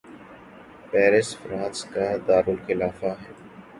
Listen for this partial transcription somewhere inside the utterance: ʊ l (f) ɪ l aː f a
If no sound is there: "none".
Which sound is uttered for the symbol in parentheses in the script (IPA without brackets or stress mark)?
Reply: x